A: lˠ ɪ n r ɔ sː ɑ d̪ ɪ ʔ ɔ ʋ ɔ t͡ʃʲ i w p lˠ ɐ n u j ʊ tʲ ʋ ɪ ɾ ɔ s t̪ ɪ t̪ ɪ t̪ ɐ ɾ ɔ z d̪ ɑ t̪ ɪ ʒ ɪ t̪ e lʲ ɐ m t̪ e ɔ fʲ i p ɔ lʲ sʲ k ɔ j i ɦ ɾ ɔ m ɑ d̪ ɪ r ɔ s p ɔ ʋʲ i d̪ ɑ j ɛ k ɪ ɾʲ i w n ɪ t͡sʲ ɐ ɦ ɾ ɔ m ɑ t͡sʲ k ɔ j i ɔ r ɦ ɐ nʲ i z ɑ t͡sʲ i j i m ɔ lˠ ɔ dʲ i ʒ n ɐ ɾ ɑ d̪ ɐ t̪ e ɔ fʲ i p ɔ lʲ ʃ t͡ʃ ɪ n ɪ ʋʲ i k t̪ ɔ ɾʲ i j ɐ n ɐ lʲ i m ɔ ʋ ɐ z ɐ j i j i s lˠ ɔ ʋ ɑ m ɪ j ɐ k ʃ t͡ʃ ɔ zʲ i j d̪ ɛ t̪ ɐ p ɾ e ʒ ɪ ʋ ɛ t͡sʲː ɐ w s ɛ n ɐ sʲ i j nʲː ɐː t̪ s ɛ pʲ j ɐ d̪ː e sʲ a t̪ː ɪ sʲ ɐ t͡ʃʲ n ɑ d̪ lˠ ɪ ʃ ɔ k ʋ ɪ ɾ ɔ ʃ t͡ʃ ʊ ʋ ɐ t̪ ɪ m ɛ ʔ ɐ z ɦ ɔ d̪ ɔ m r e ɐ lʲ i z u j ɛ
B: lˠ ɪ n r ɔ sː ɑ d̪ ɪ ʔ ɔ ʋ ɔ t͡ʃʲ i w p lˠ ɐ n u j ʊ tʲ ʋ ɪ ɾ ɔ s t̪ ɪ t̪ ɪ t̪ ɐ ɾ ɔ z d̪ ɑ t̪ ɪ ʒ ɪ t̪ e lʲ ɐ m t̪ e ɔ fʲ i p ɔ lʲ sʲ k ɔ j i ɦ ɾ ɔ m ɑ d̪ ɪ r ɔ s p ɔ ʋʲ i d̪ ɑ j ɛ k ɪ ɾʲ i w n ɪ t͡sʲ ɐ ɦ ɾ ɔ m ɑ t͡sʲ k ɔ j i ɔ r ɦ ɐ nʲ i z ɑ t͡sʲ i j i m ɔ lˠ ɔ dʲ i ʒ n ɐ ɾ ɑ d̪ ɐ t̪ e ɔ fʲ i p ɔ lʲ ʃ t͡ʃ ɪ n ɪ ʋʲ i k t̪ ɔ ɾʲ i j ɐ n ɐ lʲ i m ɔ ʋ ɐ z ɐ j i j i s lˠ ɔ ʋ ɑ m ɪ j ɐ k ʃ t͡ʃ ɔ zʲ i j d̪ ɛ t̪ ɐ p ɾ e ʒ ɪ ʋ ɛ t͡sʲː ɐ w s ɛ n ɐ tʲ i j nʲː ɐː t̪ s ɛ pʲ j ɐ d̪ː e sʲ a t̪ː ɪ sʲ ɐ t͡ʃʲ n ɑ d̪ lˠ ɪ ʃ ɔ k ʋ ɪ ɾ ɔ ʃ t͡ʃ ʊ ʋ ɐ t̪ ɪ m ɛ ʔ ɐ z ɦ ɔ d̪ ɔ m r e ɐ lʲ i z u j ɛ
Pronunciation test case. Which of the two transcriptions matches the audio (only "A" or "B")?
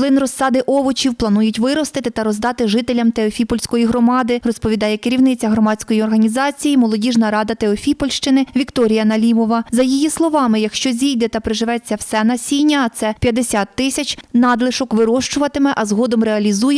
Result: A